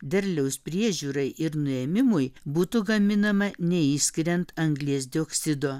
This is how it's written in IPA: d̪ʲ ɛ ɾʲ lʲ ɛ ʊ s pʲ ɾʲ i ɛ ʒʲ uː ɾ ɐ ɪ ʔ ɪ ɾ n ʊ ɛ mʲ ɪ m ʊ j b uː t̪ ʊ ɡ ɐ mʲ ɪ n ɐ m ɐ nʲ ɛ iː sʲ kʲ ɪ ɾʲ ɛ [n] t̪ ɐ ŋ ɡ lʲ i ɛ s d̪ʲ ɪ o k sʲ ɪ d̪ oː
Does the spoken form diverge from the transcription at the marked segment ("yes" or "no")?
no